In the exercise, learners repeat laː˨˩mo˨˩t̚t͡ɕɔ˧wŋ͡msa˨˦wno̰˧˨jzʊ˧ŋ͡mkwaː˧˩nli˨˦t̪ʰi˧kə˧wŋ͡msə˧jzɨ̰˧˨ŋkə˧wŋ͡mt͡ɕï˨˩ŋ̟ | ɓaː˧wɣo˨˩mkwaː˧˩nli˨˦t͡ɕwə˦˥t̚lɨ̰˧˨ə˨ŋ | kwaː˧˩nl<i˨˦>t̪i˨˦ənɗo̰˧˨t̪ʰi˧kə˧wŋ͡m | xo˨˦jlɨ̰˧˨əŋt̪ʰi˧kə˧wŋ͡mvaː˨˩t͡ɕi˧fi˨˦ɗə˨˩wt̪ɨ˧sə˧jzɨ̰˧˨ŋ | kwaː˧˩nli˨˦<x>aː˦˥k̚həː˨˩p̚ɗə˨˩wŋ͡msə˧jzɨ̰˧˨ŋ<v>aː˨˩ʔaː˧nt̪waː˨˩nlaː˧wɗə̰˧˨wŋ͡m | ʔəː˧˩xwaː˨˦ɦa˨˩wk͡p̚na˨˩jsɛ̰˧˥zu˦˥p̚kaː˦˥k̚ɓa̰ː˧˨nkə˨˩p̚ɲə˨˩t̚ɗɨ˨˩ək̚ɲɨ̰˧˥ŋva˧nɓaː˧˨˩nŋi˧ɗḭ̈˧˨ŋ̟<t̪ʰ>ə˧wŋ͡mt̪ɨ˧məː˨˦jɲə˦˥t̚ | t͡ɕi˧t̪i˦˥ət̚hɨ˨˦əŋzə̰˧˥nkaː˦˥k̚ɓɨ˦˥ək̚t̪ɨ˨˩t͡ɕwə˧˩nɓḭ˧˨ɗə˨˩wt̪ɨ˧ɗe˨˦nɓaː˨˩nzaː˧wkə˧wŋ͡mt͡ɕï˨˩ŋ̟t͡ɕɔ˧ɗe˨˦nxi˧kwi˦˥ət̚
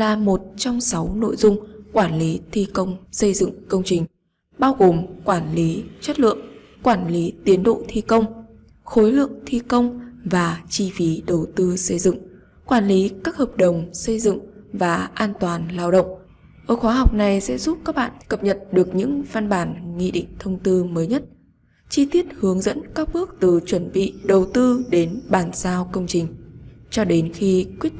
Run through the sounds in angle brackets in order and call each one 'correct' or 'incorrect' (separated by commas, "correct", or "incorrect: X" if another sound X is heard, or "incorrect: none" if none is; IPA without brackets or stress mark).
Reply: correct, incorrect: k, correct, correct